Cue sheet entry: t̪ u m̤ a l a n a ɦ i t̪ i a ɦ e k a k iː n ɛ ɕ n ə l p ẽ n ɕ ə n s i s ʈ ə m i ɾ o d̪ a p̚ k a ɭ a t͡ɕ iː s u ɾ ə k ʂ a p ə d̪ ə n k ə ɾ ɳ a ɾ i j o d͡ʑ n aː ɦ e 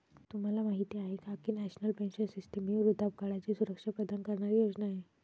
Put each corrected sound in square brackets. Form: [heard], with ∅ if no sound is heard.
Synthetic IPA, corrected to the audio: t̪ u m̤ a l a [m] a ɦ i t̪ i a ɦ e k a k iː n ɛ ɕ n ə l p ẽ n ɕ ə n s i s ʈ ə m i ɾ [u] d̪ a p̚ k a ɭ a t͡ɕ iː s u ɾ ə k ʂ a p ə d̪ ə n k ə ɾ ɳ a ɾ i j o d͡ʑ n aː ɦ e